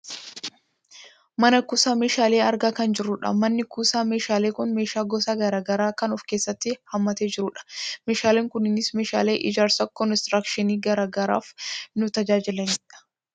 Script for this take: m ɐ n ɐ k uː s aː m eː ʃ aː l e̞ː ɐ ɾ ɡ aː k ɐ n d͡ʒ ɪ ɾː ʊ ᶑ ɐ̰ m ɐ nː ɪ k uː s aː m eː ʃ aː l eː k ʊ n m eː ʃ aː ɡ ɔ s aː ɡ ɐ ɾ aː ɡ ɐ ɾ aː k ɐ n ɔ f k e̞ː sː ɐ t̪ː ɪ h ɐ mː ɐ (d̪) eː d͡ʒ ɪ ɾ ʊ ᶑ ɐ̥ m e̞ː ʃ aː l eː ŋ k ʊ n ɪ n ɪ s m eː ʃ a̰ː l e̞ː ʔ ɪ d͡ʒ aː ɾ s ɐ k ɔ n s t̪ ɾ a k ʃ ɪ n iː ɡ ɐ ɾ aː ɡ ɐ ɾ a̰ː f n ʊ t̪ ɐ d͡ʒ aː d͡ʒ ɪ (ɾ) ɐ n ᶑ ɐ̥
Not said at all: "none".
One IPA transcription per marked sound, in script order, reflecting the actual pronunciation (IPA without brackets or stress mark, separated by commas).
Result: t̪, l